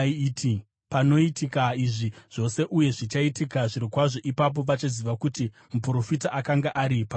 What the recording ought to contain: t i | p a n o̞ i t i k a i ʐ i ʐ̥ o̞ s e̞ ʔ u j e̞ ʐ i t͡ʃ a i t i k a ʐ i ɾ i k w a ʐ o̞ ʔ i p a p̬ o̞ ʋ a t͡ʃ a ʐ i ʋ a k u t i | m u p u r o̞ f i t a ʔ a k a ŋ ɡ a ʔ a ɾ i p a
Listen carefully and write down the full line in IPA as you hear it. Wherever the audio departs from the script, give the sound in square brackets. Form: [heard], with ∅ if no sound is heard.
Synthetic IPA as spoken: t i | p a n o̞ i t i k a i ʐ i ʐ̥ o̞ s e̞ ʔ u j e̞ ʐ i t͡ʃ a i t i k a ʐ i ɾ i k w a ʐ o̞ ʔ i p a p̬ o̞ ʋ a t͡ʃ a [z] i ʋ a k u t i | m u p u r o̞ f i t a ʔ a k a ŋ ɡ a ʔ a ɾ i p a